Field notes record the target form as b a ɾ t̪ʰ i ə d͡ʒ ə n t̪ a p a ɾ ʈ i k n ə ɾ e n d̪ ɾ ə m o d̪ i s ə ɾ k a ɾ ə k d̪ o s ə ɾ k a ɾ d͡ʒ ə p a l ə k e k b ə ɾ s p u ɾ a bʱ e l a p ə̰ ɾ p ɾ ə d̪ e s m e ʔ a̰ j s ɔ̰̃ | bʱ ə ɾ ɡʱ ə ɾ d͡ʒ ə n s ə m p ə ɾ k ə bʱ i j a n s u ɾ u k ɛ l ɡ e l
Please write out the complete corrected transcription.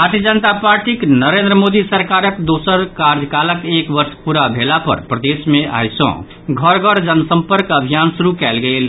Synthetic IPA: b a ɾ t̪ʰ i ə d͡ʒ ə n t̪ a p a ɾ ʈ i k n ə ɾ e n d̪ ɾ ə m o d̪ i s ə ɾ k a ɾ ə k d̪ o s ə ɾ k a ɾ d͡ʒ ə k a l ə k e k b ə ɾ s p u ɾ a bʱ e l a p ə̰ ɾ p ɾ ə d̪ e s m e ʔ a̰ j s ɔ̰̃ | ɡʱ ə ɾ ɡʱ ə ɾ d͡ʒ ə n s ə m p ə ɾ k ə bʱ i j a n s u ɾ u k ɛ l ɡ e l

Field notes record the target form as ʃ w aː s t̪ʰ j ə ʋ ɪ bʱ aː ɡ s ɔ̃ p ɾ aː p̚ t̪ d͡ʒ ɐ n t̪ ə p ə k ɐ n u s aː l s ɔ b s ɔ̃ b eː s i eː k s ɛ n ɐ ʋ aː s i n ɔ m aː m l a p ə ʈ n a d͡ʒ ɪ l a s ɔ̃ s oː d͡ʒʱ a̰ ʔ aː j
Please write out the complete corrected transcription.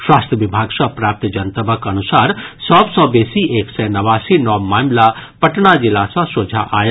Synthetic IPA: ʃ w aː s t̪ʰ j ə ʋ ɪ bʱ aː ɡ s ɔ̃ p ɾ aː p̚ t̪ d͡ʒ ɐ n t̪ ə b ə k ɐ n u s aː ɾ s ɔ b s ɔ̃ b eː s i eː k s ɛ n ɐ ʋ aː s i n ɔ m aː m l a p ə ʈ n a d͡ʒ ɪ l a s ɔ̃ s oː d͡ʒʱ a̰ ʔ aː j

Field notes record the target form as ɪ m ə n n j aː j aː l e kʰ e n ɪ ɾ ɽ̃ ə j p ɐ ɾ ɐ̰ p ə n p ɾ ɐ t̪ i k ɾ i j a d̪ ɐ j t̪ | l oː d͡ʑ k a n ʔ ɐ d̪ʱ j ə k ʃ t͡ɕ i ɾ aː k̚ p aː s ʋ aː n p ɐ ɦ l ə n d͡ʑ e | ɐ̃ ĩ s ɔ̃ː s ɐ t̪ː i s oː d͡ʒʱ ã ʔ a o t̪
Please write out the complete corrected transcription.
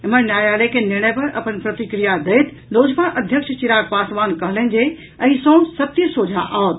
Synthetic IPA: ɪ m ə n n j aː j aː l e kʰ e n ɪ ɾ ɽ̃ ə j p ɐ ɾ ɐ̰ p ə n p ɾ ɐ t̪ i k ɾ i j a d̪ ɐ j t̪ | l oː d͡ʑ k a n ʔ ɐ d̪ʱ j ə k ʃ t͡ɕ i ɾ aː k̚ p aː s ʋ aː n k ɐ ɦ l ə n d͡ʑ e | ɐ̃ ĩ s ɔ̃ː s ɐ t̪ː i s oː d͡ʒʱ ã ʔ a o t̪

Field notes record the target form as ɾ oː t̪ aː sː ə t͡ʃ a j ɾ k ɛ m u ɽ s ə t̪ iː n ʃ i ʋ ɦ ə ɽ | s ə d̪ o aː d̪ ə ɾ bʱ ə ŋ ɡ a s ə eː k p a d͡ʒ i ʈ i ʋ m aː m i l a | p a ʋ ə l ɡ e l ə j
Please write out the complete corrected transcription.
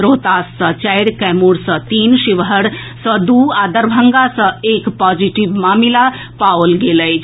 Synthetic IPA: ɾ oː t̪ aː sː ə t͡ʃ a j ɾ k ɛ m u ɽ s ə t̪ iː n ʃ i ʋ ɦ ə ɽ | s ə d̪ u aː d̪ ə ɾ bʱ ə ŋ ɡ a s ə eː k p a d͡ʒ i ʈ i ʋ m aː m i l a | p a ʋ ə l ɡ e l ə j

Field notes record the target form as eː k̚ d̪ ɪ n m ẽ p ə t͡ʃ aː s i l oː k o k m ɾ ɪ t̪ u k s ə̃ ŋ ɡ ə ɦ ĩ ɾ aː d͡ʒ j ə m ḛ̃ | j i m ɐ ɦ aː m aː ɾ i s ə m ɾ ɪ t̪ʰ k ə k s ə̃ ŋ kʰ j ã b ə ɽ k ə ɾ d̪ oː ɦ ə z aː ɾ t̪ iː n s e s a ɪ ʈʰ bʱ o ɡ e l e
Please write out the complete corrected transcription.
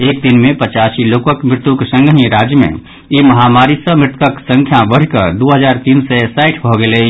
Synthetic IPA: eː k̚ d̪ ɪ n m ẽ p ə t͡ʃ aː s i l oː k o k m ɾ ɪ t̪ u k s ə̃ ŋ ɡ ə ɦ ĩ ɾ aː d͡ʒ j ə m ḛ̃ | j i m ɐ ɦ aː m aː ɾ i s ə m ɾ ɪ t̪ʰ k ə k s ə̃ ŋ kʰ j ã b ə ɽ k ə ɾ d̪ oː ɦ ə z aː ɾ t̪ iː n s e s a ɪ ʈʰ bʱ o ɡ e l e

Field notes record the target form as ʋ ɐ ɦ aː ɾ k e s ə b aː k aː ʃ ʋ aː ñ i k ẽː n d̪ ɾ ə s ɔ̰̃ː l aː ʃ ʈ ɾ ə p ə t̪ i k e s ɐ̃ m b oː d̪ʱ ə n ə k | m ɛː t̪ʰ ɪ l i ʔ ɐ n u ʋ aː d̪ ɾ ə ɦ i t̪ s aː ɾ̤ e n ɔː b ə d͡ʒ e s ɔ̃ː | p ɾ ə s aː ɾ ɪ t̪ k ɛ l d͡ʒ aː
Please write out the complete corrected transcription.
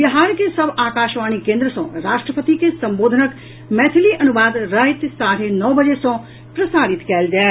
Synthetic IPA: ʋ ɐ ɦ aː ɾ k e s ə b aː k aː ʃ ʋ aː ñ i k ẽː n d̪ ɾ ə s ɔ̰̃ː ɾ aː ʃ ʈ ɾ ə p ə t̪ i k e s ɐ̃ m b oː d̪ʱ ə n ə k | m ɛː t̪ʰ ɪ l i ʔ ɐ n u ʋ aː d̪ ɾ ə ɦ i t̪ s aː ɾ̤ e n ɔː b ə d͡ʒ e s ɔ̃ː | p ɾ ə s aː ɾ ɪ t̪ k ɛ l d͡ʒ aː

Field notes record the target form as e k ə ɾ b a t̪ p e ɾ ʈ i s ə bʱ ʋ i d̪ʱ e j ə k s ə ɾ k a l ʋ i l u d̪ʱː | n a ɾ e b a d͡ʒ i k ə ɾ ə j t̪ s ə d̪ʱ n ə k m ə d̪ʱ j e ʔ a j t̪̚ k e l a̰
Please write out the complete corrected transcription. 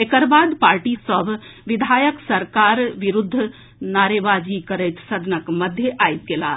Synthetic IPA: e k ə ɾ b a d̪ p a ɾ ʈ i s ə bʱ ʋ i d̪ʱ a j ə k s ə ɾ k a ɾ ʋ i ɾ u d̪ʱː | n a ɾ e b a d͡ʒ i k ə ɾ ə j t̪ s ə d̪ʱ n ə k m ə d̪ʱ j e ʔ a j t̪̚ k e l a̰

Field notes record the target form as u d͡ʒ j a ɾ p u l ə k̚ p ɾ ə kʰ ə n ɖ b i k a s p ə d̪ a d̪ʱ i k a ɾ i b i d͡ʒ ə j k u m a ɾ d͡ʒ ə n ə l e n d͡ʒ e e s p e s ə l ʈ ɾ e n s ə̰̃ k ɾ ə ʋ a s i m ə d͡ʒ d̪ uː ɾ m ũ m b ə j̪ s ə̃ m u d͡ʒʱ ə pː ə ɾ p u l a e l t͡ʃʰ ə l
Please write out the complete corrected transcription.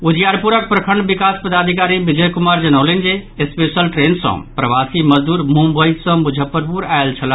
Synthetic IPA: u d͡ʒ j a ɾ p u ɾ ə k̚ p ɾ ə kʰ ə ɳ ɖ b i k a s p ə d̪ a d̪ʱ i k a ɾ i b i d͡ʒ ə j k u m a ɾ d͡ʒ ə n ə l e n d͡ʒ e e s p e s ə l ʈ ɾ e n s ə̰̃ p ɾ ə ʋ a s i m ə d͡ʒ d̪ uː ɾ m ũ m b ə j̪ s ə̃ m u d͡ʒʱ ə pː ə ɾ p u ɾ a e l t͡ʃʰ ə l

